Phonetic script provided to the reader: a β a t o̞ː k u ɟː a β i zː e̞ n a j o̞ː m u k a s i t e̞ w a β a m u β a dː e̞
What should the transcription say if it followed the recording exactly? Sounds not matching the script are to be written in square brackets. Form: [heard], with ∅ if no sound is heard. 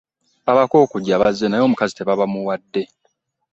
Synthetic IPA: a β a [k] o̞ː k u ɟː a β [a] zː e̞ n a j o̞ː m u k a [z] i t e̞ [β] a β a m u [w] a dː e̞